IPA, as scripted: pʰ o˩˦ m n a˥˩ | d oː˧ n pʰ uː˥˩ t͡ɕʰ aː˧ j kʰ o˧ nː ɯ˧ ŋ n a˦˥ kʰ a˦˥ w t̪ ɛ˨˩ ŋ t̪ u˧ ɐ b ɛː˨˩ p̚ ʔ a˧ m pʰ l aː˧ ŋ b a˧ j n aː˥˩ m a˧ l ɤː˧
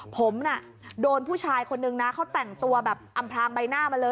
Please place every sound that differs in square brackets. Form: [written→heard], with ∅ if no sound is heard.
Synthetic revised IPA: pʰ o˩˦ m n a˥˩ | d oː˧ n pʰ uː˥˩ t͡ɕʰ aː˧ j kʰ o˧ nː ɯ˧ ŋ n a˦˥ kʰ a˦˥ w t̪ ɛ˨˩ ŋ t̪ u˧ ɐ b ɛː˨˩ p̚ ʔ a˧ m pʰ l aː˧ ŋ b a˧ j n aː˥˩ m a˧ l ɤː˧